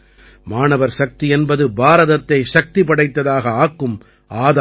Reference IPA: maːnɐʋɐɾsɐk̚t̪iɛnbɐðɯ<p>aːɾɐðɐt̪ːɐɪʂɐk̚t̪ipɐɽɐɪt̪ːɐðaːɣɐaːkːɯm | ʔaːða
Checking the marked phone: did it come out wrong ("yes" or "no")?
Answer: yes